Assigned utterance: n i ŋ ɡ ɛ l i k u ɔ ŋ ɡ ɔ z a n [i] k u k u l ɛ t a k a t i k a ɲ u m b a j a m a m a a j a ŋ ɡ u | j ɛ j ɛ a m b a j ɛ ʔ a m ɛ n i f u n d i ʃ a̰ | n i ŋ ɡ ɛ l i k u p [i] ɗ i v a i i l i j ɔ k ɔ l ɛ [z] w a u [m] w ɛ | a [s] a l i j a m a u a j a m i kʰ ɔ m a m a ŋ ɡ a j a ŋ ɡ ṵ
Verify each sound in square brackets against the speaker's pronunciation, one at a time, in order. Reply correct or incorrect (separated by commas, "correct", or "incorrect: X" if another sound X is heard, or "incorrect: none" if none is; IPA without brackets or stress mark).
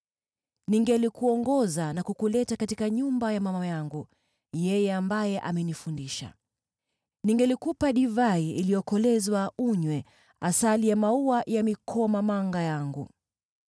incorrect: a, incorrect: a, correct, incorrect: ɲ, correct